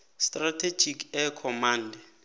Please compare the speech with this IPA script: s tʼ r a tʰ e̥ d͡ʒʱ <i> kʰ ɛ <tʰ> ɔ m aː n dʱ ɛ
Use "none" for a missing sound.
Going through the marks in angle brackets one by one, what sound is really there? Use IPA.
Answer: i, kʰ

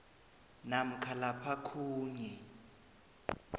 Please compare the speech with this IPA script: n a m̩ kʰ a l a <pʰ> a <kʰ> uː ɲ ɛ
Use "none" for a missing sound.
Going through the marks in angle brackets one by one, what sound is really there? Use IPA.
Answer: pʰ, kʰ

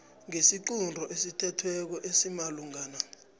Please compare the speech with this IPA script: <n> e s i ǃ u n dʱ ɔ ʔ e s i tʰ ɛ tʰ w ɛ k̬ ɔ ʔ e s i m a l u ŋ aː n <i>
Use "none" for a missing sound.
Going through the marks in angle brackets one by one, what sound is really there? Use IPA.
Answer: ŋ, a

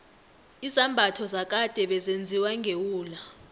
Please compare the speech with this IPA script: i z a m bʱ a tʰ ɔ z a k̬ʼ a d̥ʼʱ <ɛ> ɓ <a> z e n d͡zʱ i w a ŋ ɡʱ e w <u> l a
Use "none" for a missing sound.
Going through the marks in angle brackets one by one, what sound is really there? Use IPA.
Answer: ɛ, ɛ, uː

